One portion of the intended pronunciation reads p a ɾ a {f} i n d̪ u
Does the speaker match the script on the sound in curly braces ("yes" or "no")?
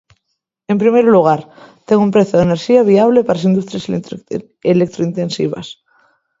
no